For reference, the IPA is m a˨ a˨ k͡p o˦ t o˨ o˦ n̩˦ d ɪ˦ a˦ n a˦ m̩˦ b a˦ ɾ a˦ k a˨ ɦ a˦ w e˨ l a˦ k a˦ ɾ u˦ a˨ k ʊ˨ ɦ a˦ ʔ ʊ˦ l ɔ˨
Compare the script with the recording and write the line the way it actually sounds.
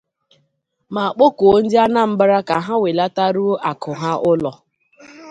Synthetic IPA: m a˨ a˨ k͡p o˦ k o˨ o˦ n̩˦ d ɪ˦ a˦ n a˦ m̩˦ b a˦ ɾ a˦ k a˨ ɦ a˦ w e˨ l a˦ t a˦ ɾ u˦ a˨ k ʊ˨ ɦ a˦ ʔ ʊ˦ l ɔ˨